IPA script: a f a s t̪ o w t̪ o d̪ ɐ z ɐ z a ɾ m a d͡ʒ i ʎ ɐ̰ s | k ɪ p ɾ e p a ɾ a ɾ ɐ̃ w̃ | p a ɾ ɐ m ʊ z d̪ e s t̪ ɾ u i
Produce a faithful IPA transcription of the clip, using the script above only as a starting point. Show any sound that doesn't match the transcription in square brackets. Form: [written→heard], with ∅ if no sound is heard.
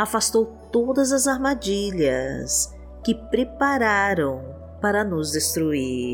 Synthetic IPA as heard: a f a s t̪ o w t̪ o d̪ ɐ z ɐ z a ɾ m a d͡ʒ i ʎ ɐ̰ s | k ɪ p ɾ e p a ɾ a ɾ ɐ̃ w̃ | p a ɾ ɐ [m→n] ʊ z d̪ e s t̪ ɾ u i